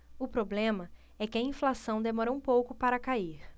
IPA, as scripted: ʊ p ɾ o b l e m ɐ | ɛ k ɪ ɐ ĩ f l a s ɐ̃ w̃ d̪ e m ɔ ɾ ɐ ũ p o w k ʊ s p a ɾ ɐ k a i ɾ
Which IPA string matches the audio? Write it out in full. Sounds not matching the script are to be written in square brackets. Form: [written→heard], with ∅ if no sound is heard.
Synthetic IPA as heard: ʊ p ɾ o b l [e→ẽ] m ɐ | ɛ k ɪ ɐ ĩ f l a s ɐ̃ w̃ d̪ e m ɔ ɾ ɐ ũ p o w k ʊ [s→∅] p a ɾ ɐ k a i ɾ